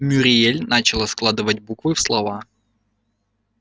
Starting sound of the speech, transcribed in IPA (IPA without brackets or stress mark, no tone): mʲ